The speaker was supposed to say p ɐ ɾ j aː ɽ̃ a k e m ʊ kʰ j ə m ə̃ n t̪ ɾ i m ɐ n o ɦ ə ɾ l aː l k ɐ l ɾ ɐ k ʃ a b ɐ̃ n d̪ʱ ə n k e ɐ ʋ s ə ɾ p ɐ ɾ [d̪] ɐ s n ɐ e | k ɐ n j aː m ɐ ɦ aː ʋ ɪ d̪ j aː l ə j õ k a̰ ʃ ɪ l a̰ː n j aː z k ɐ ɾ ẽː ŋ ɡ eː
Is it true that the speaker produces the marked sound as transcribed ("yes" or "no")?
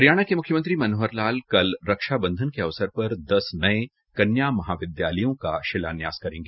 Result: yes